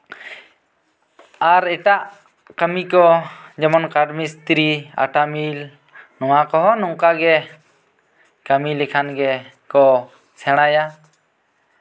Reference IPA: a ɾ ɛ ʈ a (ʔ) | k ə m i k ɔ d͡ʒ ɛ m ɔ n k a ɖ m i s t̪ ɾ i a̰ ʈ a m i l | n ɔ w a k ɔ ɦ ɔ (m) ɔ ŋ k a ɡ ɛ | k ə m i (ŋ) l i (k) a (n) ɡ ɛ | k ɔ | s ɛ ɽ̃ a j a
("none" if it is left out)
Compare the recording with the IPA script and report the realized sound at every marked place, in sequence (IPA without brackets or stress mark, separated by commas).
ʔ, n, none, kʰ, n